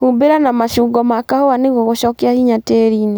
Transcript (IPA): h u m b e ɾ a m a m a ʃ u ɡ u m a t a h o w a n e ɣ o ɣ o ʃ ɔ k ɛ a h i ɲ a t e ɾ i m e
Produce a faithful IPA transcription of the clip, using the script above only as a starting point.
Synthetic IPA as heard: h u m b e ɾ a n a m a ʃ u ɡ ɔ m a k a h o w a n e ɣ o ɣ o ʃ ɔ k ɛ a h i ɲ a t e ɾ i n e